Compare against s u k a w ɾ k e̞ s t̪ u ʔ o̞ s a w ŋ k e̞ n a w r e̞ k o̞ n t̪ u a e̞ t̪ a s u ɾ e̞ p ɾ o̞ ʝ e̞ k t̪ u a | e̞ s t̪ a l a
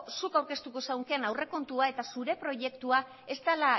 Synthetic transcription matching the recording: s u k a w ɾ k e̞ s t̪ u k o̞ s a w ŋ k e̞ n a w r e̞ k o̞ n t̪ u a e̞ t̪ a s u ɾ e̞ p ɾ o̞ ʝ e̞ k t̪ u a | e̞ s t̪ a l a